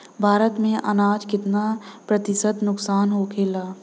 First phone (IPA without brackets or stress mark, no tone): bʱ